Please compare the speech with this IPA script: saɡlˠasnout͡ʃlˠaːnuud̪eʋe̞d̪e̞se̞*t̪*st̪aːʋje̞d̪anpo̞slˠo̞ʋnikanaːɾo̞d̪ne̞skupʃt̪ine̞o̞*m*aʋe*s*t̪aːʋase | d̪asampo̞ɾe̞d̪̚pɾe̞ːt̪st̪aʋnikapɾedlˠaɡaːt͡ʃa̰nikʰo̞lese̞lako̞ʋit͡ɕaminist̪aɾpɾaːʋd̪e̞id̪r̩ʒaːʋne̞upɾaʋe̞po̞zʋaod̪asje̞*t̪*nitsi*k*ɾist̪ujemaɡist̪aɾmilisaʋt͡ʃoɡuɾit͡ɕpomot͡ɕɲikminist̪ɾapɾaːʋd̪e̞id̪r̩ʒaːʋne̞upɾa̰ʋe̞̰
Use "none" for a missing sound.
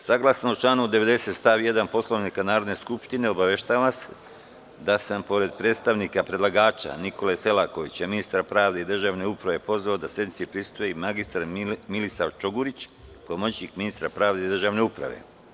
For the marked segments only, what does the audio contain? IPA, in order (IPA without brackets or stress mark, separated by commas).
t̪, b, ʃ, d̪, p